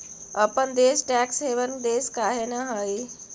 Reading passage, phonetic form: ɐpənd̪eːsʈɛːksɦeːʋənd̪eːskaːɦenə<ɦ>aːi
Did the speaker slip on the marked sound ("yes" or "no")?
no